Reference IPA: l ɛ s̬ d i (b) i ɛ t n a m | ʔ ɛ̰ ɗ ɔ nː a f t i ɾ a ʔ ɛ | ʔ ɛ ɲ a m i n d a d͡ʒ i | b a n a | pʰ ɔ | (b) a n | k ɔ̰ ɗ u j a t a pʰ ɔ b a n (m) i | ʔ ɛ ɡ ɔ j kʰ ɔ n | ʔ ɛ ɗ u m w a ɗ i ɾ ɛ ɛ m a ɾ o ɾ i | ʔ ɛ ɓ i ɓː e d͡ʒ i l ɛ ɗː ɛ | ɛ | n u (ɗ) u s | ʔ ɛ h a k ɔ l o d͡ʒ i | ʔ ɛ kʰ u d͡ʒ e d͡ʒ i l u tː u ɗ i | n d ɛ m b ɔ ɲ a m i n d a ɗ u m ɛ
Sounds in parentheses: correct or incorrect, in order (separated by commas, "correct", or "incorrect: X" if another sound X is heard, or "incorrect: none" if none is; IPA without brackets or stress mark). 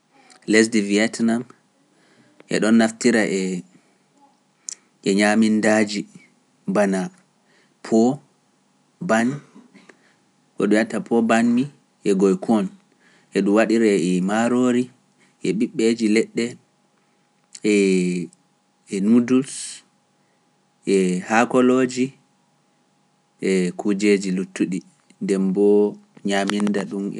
incorrect: v, correct, correct, incorrect: d